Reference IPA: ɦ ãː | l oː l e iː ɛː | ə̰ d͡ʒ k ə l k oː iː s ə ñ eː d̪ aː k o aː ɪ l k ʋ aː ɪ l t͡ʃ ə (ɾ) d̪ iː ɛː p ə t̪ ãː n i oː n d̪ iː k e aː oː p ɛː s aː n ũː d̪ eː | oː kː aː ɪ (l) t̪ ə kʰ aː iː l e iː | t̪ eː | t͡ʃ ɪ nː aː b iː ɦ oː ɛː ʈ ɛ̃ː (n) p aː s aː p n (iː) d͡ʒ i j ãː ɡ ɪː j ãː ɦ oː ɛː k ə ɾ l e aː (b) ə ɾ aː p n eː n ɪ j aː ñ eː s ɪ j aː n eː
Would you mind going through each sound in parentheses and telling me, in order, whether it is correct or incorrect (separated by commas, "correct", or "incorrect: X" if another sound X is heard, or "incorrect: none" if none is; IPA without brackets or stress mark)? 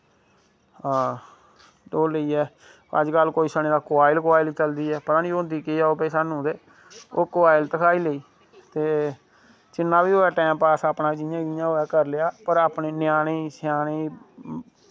incorrect: l, correct, incorrect: m, incorrect: aː, incorrect: p